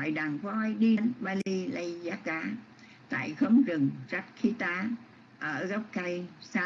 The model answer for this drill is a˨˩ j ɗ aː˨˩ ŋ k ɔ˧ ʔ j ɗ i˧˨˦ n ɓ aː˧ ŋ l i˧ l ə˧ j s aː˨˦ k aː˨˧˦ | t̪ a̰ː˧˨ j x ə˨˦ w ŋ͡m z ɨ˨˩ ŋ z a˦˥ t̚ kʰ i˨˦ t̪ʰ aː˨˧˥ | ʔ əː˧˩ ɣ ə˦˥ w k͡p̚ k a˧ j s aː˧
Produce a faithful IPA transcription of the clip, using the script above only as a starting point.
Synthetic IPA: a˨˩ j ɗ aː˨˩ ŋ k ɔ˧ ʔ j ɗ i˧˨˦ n ɓ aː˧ l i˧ l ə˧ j z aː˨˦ k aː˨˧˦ | t̪ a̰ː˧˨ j x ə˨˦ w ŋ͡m z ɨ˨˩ ŋ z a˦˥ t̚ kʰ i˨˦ t̪ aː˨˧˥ | ʔ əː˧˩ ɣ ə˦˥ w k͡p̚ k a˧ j s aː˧